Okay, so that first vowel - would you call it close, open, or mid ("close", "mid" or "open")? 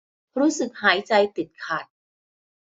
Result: close